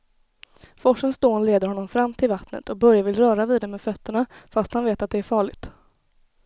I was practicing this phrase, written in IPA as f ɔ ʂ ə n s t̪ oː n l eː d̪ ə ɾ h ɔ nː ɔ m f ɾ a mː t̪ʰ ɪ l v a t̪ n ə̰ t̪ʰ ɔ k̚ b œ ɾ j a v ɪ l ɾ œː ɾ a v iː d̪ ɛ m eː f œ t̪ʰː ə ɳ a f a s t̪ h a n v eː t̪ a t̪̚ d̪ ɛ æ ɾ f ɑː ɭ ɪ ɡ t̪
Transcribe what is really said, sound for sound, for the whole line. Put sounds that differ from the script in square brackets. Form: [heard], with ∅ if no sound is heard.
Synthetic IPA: f ɔ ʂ ə n s [d̪] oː n l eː d̪ ə ɾ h ɔ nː ɔ m f ɾ a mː t̪ʰ ɪ l v a t̪ n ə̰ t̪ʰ ɔ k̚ b œ ɾ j a v ɪ l ɾ œː ɾ a v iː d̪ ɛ m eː f œ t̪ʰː ə ɳ a f a s t̪ h a n v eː t̪ a t̪̚ d̪ ɛ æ ɾ f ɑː ɭ ɪ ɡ t̪